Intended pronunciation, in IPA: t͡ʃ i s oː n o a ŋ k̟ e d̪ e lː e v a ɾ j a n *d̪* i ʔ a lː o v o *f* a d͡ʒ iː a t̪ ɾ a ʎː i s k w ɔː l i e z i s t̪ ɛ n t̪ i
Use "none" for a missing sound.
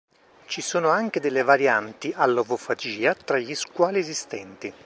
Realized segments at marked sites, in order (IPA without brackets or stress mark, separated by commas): t̪, f